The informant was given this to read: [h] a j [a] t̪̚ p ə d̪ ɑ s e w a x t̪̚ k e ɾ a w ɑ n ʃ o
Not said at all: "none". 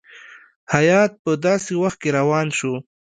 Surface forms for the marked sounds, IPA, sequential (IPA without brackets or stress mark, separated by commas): h, ɑ